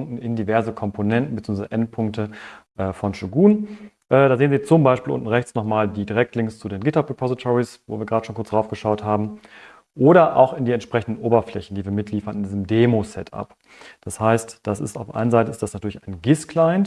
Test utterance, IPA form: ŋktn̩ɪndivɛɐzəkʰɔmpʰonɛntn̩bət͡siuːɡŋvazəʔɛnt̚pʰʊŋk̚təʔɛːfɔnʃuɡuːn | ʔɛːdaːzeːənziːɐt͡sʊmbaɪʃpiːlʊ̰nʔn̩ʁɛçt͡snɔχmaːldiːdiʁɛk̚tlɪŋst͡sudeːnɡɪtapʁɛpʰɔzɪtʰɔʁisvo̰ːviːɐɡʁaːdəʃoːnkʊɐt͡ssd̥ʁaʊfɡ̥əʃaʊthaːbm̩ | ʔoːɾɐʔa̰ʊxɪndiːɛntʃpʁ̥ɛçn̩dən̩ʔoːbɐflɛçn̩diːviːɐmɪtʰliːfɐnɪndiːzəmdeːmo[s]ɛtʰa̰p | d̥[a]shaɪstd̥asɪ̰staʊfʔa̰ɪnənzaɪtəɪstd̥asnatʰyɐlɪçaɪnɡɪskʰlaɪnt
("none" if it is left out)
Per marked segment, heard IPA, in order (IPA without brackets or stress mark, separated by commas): s, a